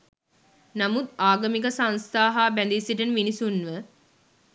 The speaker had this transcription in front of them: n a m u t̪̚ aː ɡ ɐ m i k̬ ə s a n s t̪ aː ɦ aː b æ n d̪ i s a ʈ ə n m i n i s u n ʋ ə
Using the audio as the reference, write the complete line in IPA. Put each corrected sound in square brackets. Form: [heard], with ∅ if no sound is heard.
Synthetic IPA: n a m u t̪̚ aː ɡ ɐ m i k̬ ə s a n s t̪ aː ɦ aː b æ n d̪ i s [i] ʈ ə n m i n i s u n ʋ ə